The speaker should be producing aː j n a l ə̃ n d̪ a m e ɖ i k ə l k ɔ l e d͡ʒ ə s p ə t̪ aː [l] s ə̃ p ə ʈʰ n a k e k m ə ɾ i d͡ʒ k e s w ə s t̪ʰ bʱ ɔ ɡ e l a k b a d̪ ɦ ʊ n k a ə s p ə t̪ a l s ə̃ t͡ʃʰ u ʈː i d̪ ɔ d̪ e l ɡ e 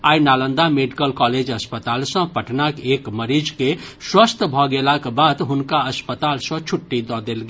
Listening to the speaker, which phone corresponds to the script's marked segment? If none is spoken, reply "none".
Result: l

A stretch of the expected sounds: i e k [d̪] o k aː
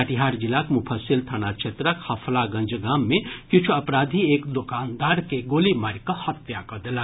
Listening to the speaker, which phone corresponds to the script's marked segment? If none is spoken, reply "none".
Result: d̪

